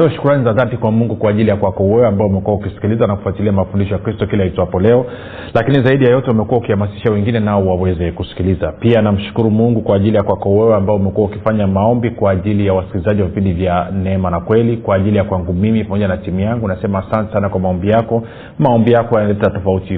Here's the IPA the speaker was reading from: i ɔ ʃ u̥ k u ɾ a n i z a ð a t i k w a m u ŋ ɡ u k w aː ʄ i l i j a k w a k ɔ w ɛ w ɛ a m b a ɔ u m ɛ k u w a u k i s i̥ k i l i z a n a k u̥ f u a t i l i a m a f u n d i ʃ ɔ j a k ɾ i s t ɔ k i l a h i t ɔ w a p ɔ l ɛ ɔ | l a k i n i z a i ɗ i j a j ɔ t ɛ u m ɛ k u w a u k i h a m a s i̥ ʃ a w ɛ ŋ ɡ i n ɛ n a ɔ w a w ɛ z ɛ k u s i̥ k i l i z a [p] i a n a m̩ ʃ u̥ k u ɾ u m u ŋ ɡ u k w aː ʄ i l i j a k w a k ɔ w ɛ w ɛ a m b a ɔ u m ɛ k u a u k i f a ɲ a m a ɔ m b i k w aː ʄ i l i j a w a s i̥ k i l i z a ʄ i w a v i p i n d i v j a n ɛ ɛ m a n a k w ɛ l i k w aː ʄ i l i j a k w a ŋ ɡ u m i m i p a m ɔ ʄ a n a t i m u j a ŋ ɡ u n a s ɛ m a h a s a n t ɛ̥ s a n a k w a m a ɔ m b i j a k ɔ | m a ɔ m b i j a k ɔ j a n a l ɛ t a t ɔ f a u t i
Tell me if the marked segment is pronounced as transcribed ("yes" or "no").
yes